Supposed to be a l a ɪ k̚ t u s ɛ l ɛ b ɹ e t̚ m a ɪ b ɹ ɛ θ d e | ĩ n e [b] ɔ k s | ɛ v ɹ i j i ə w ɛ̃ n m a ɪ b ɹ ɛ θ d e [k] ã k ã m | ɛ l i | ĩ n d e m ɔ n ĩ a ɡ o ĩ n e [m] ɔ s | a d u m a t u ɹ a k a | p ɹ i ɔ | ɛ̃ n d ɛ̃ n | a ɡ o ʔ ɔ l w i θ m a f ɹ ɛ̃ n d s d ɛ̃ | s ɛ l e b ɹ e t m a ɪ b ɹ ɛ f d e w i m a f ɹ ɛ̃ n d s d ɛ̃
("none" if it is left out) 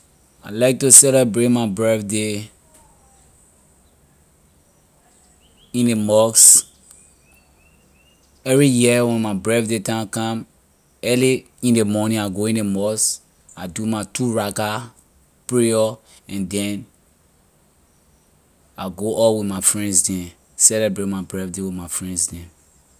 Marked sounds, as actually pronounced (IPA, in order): m, t, m

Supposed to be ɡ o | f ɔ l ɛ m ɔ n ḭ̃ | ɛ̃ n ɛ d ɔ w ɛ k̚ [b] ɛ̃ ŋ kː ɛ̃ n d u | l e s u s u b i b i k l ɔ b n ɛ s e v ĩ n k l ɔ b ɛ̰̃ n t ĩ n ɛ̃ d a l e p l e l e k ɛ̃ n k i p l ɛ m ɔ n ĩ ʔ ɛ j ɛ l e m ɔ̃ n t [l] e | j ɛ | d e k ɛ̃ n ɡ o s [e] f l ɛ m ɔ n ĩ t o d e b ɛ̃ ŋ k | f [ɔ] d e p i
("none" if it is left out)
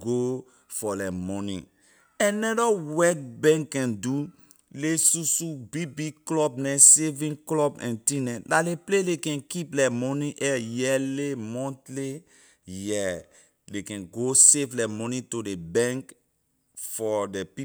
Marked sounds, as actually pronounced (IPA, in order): b, l, e, ɔ

